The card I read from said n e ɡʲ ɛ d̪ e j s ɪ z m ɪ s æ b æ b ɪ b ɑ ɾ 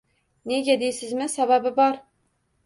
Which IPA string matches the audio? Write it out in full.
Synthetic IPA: n e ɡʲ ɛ d̪ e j s ɪ z m ɪ s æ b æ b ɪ b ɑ ɾ